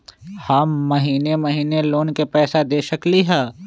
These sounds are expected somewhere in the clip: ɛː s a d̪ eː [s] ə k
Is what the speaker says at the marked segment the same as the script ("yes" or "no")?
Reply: no